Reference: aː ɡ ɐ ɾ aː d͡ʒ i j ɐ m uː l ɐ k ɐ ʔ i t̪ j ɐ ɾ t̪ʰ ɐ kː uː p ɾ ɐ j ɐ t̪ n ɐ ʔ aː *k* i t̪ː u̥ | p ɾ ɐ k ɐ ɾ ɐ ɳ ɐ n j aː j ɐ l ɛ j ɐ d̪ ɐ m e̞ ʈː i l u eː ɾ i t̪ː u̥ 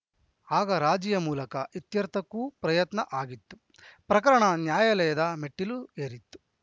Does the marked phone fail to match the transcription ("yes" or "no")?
yes